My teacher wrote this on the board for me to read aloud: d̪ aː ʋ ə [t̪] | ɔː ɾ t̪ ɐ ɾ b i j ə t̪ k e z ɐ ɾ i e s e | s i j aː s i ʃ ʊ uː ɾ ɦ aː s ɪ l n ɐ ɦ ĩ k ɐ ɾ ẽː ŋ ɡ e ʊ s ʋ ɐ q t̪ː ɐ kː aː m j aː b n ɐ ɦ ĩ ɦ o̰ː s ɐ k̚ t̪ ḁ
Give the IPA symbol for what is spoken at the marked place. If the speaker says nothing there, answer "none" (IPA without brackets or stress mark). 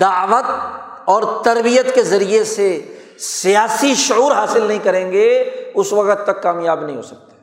t̪